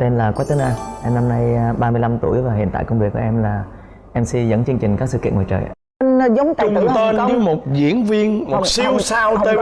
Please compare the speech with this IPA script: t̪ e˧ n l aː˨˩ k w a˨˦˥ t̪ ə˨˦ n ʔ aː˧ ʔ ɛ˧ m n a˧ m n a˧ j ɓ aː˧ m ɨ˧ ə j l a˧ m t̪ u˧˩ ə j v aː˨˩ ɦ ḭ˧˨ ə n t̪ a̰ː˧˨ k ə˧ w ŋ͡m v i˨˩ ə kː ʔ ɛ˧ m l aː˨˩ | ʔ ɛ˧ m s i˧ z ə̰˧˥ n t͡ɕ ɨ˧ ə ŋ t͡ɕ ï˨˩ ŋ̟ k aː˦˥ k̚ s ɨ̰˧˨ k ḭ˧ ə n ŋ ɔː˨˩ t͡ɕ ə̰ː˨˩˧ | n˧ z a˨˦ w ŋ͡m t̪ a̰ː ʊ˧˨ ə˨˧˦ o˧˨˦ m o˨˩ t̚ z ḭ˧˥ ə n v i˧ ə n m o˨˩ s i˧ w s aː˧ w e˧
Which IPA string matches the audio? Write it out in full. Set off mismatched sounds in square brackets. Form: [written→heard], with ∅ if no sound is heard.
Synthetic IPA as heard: t̪ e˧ n l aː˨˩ k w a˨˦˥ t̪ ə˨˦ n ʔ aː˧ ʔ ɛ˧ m n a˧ m n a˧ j ɓ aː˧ m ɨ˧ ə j l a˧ m t̪ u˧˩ ə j v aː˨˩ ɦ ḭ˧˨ ə n t̪ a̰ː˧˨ k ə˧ w ŋ͡m v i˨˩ ə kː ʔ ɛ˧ m l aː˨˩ | ʔ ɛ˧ m s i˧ z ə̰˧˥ n t͡ɕ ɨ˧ ə ŋ t͡ɕ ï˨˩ ŋ̟ k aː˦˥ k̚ s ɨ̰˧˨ k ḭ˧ ə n ŋ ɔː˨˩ t͡ɕ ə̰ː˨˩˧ | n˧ z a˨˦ w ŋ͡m t̪ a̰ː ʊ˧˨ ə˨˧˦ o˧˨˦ m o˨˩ t̚ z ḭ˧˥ ə n v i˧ ə n m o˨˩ s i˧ w s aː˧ w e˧